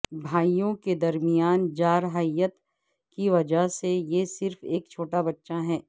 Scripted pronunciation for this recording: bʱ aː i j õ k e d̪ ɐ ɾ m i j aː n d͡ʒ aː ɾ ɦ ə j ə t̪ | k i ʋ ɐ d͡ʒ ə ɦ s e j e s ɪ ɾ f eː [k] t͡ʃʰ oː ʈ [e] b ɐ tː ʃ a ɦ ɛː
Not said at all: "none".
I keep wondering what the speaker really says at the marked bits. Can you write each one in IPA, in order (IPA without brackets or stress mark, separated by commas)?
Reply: k, a